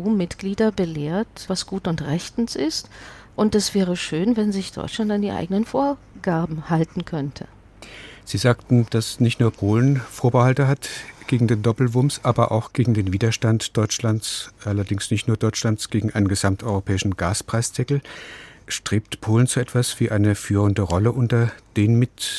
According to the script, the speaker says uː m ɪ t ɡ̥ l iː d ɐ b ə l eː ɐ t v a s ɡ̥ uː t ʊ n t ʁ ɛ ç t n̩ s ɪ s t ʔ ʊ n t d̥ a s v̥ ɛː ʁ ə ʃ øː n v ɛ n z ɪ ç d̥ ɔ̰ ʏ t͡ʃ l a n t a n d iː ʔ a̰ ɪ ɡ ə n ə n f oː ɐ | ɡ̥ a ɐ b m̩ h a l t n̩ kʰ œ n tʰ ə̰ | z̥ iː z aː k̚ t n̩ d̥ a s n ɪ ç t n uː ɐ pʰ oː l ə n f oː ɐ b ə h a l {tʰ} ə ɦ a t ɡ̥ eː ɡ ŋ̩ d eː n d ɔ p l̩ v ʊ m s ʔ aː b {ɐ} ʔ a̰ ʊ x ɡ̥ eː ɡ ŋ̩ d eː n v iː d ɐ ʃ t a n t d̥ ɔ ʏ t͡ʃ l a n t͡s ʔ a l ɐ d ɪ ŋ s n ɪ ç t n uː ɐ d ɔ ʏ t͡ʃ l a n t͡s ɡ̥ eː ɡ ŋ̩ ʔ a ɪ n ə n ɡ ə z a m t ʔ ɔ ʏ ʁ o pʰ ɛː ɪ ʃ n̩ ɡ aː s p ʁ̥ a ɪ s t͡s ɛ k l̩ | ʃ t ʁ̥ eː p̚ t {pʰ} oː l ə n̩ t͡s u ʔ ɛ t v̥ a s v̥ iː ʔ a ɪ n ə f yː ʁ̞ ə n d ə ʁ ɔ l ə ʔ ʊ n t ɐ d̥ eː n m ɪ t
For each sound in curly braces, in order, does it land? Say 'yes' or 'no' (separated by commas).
no, yes, yes